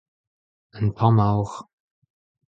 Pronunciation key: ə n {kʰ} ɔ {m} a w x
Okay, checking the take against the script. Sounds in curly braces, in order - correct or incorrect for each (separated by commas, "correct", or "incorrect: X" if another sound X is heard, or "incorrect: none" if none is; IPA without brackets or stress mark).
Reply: incorrect: pʰ, correct